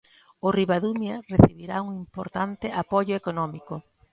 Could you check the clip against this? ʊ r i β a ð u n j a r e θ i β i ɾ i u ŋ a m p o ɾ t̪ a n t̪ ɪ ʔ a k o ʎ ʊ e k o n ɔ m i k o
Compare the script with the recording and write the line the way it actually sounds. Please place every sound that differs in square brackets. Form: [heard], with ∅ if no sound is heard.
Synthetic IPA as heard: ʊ r i β a ð u [m] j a r e θ i β i ɾ [a] u ŋ [i] m p o ɾ t̪ a n t̪ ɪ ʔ a [p] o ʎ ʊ e k o n ɔ m i k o